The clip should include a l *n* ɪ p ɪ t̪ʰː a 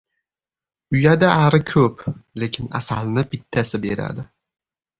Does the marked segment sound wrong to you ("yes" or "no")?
no